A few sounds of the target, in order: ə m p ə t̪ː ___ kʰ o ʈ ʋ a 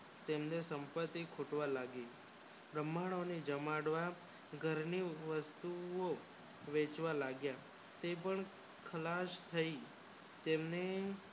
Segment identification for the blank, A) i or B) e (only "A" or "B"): A